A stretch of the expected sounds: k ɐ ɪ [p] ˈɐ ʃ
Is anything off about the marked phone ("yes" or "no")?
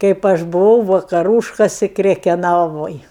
no